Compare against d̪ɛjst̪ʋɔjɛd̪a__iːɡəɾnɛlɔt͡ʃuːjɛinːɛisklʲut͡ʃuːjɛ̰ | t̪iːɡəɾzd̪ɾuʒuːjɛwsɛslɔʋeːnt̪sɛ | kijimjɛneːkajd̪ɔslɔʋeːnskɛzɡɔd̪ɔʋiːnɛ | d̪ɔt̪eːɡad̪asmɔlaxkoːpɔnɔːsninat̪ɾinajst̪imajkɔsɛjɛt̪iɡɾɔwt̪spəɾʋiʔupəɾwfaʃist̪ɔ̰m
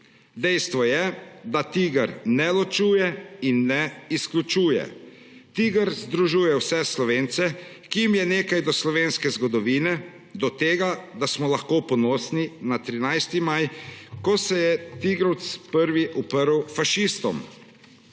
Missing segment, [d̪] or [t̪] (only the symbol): t̪